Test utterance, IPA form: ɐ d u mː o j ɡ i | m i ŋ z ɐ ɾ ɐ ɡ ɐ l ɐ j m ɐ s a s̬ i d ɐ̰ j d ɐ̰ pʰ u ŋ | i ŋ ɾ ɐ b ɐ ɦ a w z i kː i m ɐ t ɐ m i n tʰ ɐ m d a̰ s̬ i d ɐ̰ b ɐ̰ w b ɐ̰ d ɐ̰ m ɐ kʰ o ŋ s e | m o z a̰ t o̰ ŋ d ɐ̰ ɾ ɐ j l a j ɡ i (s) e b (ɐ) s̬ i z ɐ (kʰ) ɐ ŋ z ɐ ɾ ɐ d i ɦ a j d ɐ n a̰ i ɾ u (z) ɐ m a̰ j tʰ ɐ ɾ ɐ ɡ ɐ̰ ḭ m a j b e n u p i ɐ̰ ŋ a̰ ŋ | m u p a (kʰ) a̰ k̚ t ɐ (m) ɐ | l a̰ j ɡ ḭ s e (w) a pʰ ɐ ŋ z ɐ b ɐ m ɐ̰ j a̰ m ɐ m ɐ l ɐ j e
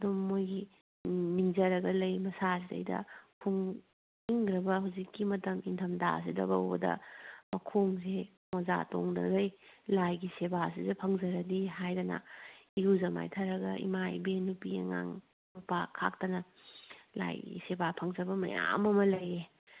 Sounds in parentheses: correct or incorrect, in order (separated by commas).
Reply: correct, incorrect, incorrect, correct, correct, incorrect, incorrect